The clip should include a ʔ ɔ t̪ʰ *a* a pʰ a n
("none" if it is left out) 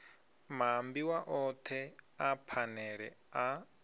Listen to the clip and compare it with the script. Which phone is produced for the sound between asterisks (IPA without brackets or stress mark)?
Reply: ɛ